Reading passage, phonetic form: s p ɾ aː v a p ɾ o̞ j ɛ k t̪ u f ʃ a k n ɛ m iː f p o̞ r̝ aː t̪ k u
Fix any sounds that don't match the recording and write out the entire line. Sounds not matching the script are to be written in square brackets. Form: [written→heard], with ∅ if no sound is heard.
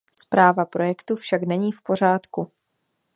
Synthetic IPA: s p ɾ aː v a p ɾ o̞ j ɛ k t̪ u f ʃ a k n ɛ [m→ɲ] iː f p o̞ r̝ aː t̪ k u